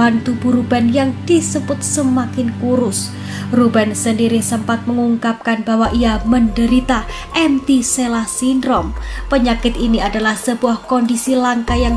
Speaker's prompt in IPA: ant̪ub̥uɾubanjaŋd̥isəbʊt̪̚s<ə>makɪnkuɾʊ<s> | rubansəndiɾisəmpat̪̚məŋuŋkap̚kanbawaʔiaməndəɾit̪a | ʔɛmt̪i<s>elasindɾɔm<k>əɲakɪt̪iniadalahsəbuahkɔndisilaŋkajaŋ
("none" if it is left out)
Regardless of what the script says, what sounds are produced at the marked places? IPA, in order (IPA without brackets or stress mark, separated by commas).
ə, s, s, p